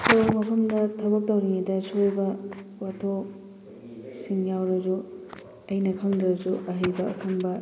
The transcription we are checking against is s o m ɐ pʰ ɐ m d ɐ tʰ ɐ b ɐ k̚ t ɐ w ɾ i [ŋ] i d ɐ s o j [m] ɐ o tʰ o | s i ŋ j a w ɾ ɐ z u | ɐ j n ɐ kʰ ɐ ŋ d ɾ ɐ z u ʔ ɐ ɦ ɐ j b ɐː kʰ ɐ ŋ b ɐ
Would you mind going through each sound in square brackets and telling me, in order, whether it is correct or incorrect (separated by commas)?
correct, incorrect